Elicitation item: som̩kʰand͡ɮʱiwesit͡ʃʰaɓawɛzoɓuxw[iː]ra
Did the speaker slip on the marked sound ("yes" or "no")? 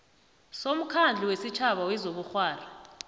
yes